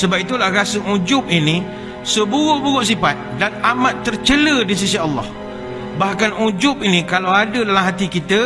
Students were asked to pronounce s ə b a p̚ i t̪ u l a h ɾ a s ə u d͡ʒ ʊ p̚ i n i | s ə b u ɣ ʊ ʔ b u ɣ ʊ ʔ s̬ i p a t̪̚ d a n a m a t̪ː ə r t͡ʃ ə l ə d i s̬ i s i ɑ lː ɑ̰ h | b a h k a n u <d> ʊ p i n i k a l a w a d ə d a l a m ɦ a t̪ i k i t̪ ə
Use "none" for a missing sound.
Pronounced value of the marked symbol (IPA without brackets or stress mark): d͡ʒ